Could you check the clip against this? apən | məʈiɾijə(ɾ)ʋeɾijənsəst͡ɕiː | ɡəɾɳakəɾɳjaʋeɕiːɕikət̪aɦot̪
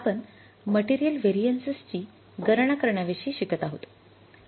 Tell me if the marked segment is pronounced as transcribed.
no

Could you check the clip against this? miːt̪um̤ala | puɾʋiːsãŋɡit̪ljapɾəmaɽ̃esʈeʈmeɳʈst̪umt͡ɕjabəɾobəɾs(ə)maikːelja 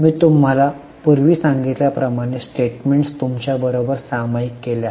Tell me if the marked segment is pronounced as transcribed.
no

